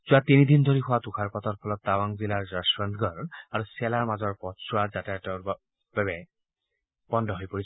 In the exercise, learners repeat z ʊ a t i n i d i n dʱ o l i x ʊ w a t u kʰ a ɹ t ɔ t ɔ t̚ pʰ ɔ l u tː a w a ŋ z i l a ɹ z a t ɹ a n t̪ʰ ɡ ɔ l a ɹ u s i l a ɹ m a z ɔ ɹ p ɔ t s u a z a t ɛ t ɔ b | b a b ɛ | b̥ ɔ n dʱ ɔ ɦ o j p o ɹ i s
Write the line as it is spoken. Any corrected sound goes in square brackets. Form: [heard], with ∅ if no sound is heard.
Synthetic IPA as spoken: z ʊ a t i n i d i n dʱ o [ɹ] i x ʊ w a t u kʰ a ɹ [p] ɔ t ɔ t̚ pʰ ɔ l [ɔ] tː a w a ŋ z i l a ɹ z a [s] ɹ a n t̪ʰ ɡ ɔ [ɹ] a ɹ u s [ɛ] l a ɹ m a z ɔ ɹ p ɔ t s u a z a t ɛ t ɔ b | b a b ɛ | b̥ ɔ n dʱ ɔ ɦ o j p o ɹ i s